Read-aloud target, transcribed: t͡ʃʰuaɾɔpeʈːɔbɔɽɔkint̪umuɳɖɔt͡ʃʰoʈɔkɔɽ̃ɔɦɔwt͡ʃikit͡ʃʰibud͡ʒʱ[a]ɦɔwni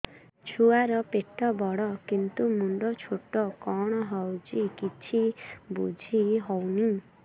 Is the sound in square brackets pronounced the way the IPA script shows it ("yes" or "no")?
no